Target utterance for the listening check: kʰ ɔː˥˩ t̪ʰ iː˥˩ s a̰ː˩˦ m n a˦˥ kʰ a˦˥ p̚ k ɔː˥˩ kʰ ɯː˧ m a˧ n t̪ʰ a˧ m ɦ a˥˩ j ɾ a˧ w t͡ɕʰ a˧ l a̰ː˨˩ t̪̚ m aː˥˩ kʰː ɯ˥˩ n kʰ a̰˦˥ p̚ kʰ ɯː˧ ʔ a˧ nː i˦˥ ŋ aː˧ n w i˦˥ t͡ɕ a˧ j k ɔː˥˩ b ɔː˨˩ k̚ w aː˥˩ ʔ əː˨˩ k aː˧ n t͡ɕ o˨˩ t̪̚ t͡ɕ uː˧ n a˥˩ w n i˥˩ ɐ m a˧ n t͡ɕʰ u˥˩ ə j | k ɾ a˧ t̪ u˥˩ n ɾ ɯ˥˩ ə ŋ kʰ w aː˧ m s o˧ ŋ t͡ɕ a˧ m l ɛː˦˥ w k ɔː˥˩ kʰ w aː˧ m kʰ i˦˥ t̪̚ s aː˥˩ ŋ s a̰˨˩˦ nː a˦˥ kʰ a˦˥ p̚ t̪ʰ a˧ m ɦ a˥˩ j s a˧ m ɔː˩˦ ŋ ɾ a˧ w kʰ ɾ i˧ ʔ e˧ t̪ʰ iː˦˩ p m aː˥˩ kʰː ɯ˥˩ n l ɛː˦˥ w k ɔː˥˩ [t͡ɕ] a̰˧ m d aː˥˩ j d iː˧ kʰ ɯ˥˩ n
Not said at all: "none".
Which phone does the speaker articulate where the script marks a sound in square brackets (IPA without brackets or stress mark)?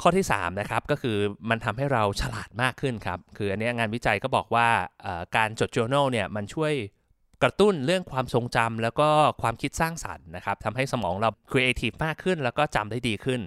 t͡ɕ